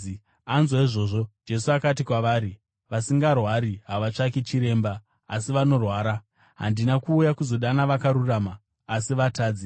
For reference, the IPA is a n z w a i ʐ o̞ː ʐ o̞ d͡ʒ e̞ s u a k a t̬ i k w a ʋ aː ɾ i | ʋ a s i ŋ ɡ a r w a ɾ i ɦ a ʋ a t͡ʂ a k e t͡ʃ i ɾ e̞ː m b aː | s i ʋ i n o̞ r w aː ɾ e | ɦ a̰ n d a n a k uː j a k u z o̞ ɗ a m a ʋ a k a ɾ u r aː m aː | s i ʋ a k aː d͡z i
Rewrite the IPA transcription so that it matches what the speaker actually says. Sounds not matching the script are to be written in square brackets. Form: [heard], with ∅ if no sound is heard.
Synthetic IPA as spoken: a n z w a i ʐ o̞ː ʐ o̞ d͡ʒ e̞ s u a k a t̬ i k w a ʋ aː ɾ i | ʋ a s i ŋ ɡ a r w a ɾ i ɦ a ʋ a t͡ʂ a k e t͡ʃ i ɾ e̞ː m b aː | s i ʋ [a] n o̞ r w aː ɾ [a] | ɦ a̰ n d [i] n a k uː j a k u z o̞ ɗ a [n] a ʋ a k a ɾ u r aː m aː | s i ʋ a [t] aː d͡z i